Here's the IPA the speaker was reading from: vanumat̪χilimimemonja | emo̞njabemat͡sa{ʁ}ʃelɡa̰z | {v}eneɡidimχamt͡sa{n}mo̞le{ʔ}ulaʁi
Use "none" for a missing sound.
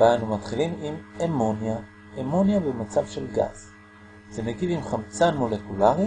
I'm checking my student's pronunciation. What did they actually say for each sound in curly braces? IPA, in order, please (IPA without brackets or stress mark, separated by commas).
v, z, n, k